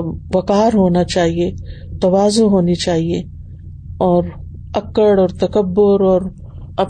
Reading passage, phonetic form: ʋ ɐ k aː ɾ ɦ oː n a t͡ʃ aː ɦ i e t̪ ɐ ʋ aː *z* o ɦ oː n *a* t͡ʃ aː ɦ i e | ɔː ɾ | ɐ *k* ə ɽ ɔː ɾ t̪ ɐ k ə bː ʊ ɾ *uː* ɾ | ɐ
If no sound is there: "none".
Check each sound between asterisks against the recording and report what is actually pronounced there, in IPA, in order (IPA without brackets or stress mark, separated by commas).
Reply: z, i, k, ɔː